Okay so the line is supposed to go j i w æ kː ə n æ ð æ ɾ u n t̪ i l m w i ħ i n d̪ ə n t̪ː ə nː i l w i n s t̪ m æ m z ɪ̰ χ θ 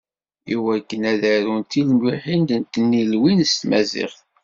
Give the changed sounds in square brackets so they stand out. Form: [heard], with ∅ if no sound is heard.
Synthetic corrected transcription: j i w æ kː ə n æ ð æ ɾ u n t̪ i l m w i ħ i n d̪ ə n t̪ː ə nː i l w i n s t̪ m æ [∅] z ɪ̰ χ θ